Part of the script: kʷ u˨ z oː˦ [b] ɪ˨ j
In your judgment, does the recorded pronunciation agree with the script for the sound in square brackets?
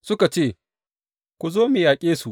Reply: no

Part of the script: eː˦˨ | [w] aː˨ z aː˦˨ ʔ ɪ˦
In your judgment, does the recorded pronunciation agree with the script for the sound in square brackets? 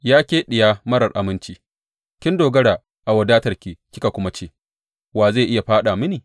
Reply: yes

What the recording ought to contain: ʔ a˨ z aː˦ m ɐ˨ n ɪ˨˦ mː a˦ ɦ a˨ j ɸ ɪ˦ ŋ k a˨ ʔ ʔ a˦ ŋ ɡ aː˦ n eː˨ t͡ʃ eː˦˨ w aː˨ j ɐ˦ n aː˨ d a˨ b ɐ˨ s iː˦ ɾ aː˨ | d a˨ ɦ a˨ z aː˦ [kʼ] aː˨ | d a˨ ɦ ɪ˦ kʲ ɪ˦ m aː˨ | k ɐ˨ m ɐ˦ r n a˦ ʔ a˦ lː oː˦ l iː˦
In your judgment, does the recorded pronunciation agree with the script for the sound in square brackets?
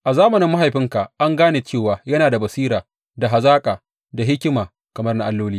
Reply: yes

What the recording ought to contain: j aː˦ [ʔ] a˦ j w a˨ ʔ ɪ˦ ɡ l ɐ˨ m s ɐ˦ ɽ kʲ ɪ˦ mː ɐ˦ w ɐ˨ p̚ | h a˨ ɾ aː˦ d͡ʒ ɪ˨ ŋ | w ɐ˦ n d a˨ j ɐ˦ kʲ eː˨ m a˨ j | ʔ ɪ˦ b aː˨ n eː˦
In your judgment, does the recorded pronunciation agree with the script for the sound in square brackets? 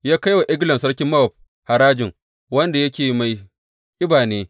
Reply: no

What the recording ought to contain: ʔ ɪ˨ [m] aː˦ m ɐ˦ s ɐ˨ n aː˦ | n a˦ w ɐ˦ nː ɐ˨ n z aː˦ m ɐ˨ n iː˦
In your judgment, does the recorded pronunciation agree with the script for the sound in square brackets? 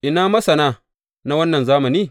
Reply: no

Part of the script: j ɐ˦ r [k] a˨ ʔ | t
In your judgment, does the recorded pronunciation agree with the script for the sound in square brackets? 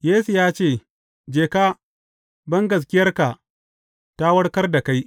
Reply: yes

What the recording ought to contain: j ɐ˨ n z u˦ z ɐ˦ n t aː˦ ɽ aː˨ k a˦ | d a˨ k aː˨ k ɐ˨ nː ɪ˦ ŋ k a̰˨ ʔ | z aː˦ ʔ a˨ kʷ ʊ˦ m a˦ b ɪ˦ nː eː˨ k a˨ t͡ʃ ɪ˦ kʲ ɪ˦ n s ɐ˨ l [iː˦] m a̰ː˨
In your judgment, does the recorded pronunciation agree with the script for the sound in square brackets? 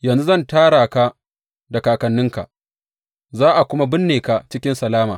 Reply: no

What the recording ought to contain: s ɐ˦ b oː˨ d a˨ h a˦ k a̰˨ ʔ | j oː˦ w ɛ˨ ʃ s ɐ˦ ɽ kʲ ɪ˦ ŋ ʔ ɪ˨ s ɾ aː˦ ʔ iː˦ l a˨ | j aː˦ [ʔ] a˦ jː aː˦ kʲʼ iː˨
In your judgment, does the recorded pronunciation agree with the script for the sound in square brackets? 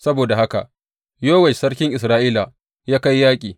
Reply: no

